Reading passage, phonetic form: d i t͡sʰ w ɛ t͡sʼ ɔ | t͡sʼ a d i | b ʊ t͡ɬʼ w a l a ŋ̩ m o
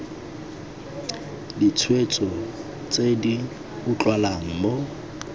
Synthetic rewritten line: d i t͡sʰ w e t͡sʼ ɔ | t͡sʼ e d i | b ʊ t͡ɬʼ w a l a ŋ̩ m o